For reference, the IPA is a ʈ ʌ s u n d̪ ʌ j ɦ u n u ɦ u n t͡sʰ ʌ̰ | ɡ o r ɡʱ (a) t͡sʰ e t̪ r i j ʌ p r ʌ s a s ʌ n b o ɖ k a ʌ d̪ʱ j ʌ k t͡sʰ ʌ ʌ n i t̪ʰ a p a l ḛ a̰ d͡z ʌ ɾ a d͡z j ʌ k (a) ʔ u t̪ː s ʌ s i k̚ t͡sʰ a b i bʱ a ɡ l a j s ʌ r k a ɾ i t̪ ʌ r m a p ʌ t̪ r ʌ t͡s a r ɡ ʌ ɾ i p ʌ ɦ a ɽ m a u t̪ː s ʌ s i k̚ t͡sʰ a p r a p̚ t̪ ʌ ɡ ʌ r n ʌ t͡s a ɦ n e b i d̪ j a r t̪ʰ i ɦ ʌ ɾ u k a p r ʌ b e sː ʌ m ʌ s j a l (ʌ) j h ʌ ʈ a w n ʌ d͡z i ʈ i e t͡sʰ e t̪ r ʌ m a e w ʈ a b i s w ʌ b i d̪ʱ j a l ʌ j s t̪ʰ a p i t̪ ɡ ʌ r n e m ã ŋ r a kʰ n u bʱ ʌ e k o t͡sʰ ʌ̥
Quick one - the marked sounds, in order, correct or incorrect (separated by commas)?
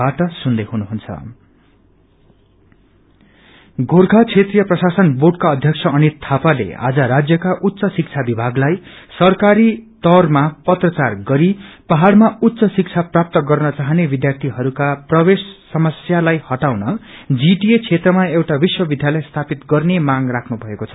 correct, correct, incorrect